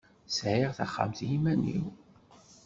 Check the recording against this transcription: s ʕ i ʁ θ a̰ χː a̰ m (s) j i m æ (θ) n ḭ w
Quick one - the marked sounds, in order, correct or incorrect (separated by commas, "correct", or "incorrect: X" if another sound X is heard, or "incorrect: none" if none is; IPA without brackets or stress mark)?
incorrect: θ, incorrect: none